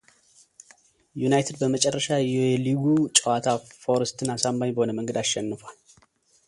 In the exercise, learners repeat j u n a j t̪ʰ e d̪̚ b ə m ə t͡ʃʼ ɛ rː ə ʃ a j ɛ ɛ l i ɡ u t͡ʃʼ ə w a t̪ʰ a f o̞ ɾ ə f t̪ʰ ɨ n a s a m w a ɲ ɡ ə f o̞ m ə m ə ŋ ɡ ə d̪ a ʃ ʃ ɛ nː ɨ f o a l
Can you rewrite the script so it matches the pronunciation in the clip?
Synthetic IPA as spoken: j u n a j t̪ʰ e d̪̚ b ə m ə t͡ʃʼ ɛ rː ə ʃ a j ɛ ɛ l i ɡ u t͡ʃʼ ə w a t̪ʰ a f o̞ ɾ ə s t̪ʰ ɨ n a s a m b a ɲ b ə h o̞ n ə m ə ŋ ɡ ə d̪ a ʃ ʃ ɛ nː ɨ f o a l